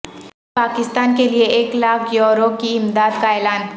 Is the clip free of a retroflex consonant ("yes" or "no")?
yes